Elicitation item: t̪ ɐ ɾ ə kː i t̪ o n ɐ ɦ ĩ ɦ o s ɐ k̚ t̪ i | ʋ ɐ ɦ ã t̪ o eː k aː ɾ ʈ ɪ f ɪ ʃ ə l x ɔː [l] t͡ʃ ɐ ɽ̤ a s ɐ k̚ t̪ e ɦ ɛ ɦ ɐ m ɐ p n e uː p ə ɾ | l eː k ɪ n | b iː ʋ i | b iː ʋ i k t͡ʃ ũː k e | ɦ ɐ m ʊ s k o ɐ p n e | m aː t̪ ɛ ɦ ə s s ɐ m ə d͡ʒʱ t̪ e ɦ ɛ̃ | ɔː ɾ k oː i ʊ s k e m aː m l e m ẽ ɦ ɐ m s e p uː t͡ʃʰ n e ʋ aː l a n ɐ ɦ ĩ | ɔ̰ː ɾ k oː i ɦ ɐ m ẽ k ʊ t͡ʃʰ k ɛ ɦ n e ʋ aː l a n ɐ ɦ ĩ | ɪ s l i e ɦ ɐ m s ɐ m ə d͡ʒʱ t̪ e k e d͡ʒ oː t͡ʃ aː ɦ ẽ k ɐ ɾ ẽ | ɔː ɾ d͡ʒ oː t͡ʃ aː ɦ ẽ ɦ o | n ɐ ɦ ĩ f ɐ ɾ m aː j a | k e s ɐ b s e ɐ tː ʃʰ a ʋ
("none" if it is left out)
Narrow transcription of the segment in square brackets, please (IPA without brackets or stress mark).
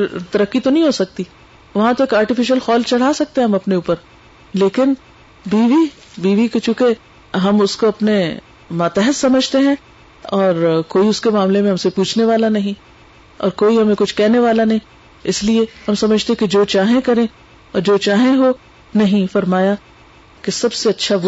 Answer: l